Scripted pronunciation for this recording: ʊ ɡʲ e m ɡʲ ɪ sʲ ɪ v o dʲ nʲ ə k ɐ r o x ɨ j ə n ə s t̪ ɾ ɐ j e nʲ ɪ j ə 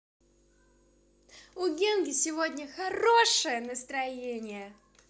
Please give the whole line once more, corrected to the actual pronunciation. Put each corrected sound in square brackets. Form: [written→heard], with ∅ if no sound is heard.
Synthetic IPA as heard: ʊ ɡʲ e [m→n] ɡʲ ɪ sʲ ɪ v o dʲ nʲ ə [k→x] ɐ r o [x→ʂ] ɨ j ə n ə s t̪ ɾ ɐ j e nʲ ɪ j ə